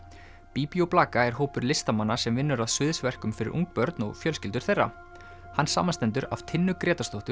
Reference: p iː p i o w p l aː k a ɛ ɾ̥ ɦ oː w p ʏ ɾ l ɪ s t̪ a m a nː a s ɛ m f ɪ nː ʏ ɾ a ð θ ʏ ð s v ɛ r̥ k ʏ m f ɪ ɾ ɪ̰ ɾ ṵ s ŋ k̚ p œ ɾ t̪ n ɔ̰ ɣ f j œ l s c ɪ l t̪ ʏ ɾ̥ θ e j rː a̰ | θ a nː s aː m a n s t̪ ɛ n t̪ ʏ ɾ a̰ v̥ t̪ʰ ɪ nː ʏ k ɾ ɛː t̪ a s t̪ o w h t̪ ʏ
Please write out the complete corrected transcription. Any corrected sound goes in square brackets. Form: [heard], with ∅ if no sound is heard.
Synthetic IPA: p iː p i o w p l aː k a ɛ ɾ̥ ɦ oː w p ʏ ɾ l ɪ s t̪ a m a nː a s ɛ m [v] ɪ nː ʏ ɾ a ð [s] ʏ ð s v ɛ r̥ k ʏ m f ɪ ɾ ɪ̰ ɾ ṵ [∅] ŋ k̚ p œ ɾ t̪ n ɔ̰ ɣ f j œ l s c ɪ l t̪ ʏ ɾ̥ θ e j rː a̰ | [h] a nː s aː m a n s t̪ ɛ n t̪ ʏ ɾ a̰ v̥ t̪ʰ ɪ nː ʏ k ɾ ɛː t̪ a s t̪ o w h t̪ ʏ